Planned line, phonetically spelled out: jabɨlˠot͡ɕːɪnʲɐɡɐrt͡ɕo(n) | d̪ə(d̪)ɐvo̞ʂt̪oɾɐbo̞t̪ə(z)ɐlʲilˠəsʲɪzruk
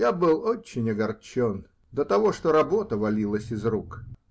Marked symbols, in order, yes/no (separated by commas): yes, no, no